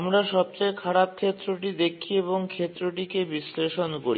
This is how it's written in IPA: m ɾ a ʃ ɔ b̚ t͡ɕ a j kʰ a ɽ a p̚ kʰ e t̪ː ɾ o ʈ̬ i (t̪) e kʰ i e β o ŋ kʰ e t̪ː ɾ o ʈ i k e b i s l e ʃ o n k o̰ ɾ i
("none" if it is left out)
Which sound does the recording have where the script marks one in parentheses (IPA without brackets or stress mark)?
d̪